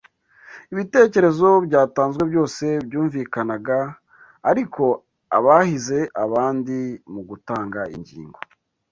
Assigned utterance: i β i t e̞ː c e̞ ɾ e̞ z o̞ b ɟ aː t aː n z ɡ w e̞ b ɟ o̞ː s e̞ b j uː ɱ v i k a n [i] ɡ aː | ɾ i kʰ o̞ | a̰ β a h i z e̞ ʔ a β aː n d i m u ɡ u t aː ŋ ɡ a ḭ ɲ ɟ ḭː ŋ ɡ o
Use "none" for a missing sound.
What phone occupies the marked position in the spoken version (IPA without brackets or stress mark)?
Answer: a